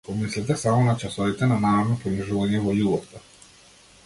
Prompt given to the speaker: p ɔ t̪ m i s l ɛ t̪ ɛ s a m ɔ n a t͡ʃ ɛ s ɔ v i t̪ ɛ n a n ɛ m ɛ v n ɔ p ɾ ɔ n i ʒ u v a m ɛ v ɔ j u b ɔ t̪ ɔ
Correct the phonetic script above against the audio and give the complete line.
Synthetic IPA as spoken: p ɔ m i s l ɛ t̪ ɛ s a m ɔ n a t͡ʃ a s ɔ v i t̪ ɛ n a n a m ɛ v n ɔ p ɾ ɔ n i ʒ u v a ɲ ɛ v ɔ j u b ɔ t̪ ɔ